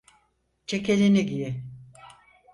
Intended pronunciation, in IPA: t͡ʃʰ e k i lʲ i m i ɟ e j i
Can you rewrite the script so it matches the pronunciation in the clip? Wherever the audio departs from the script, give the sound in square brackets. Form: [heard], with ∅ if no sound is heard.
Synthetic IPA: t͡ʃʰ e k [e] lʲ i [n] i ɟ [i] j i